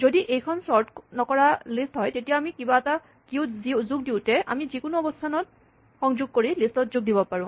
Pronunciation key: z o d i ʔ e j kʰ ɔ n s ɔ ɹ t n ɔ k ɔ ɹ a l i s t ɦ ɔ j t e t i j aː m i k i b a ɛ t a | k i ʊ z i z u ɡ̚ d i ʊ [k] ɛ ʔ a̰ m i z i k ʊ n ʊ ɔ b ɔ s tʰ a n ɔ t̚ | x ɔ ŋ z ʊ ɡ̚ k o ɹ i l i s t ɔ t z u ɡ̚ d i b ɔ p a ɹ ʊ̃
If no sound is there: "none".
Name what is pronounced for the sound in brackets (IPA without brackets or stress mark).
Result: t